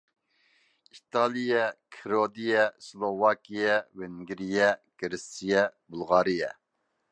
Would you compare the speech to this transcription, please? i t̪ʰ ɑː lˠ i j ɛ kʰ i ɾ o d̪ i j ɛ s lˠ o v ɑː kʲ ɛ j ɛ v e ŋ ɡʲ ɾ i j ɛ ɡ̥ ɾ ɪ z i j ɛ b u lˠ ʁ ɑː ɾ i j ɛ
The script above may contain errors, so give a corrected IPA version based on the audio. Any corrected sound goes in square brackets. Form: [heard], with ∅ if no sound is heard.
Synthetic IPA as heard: i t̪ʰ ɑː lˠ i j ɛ kʰ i ɾ o d̪ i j ɛ s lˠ o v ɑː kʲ [i] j ɛ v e ŋ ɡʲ ɾ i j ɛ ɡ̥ ɾ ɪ [s] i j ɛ b u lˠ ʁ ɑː ɾ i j ɛ